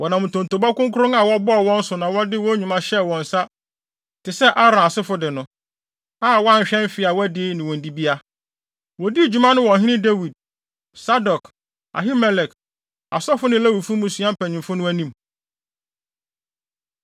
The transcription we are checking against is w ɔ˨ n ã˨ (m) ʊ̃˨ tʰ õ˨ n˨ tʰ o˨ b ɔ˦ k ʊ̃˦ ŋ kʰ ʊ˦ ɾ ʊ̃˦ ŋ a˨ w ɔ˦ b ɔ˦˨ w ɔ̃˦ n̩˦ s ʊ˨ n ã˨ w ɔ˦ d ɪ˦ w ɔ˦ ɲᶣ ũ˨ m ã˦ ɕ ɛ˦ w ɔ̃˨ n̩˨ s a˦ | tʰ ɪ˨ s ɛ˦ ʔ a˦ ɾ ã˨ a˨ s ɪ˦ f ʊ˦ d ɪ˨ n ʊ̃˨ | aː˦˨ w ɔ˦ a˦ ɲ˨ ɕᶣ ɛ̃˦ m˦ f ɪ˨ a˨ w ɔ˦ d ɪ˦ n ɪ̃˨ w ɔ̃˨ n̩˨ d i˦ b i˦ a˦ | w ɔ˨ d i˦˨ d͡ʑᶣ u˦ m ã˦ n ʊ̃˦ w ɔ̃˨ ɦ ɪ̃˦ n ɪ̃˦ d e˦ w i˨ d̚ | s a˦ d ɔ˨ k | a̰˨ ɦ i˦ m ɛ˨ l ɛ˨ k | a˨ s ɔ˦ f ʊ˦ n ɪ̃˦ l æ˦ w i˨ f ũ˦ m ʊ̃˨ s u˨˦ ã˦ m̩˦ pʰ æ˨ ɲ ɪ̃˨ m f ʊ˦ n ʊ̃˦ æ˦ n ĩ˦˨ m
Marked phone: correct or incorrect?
correct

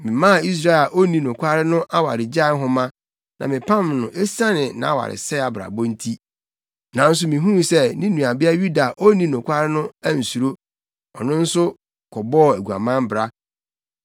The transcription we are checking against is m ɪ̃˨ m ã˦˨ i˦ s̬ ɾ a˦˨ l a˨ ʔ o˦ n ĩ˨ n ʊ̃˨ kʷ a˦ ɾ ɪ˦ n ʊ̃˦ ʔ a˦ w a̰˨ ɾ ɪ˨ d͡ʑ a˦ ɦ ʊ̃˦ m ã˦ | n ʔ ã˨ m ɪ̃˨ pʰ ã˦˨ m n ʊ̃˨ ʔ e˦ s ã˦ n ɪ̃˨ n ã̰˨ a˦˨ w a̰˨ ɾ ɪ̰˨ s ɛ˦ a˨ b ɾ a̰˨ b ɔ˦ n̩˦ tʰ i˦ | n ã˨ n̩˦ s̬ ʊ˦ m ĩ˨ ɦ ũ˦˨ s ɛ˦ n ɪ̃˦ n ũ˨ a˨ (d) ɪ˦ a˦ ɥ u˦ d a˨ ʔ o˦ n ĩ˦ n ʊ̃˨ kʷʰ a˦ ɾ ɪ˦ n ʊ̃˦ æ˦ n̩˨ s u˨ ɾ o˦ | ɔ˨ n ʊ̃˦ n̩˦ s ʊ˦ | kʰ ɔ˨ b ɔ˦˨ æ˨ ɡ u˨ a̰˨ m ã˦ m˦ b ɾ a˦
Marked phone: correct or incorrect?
incorrect: b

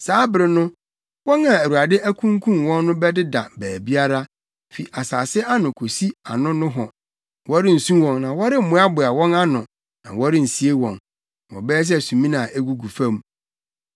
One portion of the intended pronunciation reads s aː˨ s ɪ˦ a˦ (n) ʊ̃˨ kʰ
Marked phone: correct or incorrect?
correct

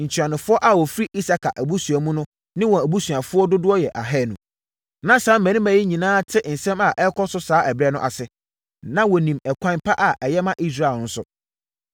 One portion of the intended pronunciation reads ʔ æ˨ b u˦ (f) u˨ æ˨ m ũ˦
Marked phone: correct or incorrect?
incorrect: s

